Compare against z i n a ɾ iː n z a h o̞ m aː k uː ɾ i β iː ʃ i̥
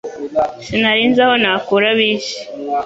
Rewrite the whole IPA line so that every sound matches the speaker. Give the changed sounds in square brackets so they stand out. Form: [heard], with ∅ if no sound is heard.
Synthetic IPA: [s] i n a ɾ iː n z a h o̞ [n] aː k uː ɾ [a] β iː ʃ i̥